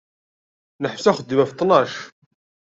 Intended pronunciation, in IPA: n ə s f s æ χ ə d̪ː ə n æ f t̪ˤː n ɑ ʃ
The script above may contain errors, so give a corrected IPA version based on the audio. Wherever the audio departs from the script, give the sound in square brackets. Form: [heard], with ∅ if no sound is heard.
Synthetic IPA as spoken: n ə [ħ] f s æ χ ə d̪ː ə [m] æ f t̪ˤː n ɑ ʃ